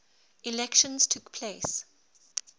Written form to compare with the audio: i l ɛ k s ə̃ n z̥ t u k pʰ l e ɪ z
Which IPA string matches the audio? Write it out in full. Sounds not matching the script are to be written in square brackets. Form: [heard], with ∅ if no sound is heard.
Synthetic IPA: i l ɛ k [ʃ] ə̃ n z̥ [tʰ] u k pʰ l e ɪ [s]

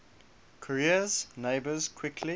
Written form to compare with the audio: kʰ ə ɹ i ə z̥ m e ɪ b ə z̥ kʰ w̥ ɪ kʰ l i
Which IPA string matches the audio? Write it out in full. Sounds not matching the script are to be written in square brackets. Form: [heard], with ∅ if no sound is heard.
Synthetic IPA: kʰ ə ɹ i ə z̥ [n] e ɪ b ə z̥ kʰ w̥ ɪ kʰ l i

